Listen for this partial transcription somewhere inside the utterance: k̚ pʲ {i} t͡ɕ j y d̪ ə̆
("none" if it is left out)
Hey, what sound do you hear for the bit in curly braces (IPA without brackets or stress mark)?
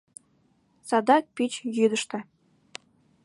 i